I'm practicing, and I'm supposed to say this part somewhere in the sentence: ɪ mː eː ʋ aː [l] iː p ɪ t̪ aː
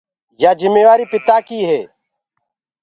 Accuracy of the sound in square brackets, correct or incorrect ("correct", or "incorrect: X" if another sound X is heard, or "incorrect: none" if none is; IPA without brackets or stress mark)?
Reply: incorrect: ɾ